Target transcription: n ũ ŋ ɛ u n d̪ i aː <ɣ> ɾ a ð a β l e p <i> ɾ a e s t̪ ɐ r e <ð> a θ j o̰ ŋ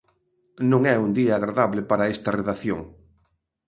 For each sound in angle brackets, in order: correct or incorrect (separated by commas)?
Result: correct, incorrect, correct